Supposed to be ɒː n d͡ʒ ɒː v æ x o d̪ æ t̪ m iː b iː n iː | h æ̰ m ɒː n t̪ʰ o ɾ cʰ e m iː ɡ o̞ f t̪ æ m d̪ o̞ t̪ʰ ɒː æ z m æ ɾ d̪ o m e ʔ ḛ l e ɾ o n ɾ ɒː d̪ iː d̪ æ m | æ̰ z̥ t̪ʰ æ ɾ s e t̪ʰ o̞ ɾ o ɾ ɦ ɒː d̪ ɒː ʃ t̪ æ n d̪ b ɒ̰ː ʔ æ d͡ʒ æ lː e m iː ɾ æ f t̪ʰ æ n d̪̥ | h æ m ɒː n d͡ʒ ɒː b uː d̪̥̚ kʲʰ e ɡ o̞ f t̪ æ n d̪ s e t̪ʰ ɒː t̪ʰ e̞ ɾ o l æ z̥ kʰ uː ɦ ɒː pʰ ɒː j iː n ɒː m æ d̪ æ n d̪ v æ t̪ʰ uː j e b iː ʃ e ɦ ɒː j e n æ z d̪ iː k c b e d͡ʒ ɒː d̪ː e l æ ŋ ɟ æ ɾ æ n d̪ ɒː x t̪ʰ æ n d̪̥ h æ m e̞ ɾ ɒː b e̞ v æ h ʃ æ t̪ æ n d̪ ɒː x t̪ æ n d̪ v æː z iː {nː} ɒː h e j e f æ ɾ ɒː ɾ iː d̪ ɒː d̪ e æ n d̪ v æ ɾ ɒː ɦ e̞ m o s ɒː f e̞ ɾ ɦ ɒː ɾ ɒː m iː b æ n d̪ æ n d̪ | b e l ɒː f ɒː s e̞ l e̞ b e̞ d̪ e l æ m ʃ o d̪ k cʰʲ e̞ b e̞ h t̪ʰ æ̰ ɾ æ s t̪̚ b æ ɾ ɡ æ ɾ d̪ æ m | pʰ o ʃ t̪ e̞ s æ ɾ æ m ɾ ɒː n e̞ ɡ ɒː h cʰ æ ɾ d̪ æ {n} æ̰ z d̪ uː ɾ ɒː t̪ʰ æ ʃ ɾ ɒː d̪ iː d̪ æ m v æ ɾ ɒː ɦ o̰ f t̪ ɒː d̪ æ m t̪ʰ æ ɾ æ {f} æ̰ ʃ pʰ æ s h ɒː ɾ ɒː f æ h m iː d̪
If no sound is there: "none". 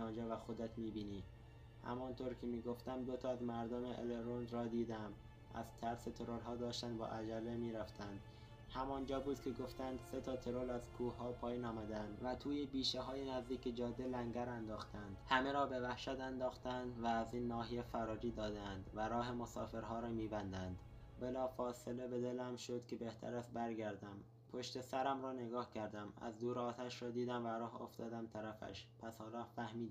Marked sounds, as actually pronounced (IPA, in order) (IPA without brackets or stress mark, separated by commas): nː, m, f